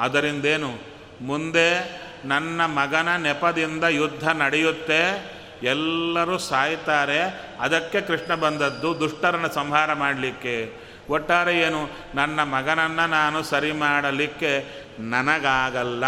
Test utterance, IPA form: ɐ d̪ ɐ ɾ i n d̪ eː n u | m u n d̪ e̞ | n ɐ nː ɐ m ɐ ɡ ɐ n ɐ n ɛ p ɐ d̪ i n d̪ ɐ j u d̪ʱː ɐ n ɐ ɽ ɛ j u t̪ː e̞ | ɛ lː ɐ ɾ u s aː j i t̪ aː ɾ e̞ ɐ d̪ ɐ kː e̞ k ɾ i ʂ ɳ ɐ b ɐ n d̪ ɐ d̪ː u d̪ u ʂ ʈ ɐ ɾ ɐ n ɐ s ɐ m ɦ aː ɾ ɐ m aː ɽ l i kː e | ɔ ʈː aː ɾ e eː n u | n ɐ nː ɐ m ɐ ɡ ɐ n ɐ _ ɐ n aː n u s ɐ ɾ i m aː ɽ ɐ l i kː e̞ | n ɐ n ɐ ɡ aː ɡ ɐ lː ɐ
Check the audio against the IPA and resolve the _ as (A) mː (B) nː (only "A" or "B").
B